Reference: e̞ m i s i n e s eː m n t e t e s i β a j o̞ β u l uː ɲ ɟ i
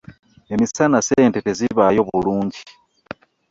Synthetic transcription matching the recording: e̞ m i s a n a s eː n t e t e z i β a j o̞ β u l uː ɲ ɟ i

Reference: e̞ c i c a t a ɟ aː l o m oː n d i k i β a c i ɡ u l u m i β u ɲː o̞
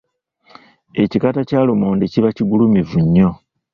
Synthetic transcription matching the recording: e̞ c i k a t a c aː l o m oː n d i c i β a c i ɡ u l u m i v u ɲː o̞

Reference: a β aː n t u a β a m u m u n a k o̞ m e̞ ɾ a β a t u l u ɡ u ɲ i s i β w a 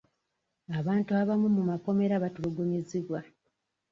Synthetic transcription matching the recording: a β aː n t u a β a m u m u m a k o̞ m e̞ ɾ a β a t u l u ɡ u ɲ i z i β w a

